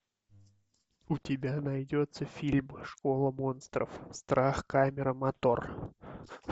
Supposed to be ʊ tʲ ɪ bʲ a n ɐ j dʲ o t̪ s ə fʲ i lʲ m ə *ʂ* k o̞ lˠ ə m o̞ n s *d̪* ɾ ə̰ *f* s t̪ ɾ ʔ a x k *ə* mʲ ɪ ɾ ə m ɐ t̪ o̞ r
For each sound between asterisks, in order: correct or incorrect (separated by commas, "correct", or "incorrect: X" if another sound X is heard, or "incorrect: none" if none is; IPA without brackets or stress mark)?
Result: correct, incorrect: t̪, correct, incorrect: a